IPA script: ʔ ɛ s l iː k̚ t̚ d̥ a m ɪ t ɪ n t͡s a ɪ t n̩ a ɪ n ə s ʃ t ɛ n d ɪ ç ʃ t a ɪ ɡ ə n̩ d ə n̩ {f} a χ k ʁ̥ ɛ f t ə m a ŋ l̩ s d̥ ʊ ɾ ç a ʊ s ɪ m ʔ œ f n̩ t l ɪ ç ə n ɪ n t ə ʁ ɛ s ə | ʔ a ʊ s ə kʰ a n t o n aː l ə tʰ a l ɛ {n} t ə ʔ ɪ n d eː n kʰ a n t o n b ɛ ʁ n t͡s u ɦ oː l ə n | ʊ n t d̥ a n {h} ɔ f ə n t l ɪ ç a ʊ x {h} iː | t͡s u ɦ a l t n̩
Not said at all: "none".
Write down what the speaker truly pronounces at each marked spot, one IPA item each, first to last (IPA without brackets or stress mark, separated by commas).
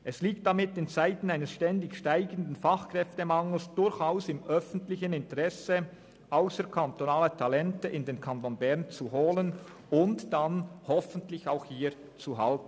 f, n, h, h